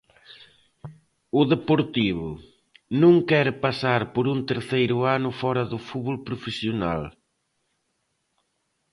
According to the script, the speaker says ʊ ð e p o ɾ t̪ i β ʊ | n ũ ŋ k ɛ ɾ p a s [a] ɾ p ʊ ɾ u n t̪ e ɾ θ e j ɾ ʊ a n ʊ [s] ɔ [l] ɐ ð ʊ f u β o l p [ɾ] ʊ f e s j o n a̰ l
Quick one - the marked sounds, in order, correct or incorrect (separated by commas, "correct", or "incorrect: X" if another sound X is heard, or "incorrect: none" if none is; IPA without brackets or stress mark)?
correct, incorrect: f, incorrect: ɾ, correct